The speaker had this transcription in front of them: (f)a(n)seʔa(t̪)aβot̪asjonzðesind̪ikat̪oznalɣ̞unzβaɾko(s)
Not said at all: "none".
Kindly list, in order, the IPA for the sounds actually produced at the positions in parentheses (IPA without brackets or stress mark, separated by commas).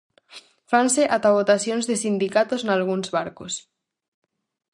f, n, t̪, s